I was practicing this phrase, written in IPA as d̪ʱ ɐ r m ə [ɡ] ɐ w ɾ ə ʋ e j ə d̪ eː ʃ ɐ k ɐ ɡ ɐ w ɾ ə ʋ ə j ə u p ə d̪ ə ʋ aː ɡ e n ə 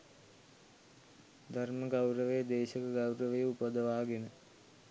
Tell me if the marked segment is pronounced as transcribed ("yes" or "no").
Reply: yes